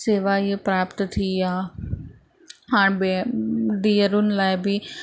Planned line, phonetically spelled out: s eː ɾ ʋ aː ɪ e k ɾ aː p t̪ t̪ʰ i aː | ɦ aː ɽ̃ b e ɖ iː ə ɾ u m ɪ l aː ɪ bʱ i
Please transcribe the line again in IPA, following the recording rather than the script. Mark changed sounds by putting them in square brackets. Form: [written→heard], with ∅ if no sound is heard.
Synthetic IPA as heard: s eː [ɾ→∅] ʋ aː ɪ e [k→p] ɾ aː p t̪ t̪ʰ i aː | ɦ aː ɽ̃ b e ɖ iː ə ɾ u [m→n] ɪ l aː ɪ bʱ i